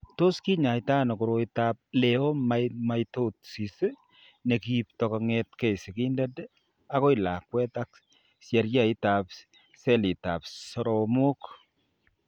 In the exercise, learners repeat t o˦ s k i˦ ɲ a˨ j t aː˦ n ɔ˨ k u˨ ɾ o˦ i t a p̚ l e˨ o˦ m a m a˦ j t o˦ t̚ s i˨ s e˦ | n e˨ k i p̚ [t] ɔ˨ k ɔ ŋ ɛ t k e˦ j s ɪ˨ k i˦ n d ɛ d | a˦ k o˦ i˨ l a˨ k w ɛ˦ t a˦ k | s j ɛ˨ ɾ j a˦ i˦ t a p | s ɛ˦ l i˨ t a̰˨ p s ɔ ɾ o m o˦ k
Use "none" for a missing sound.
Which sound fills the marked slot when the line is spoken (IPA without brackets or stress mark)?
t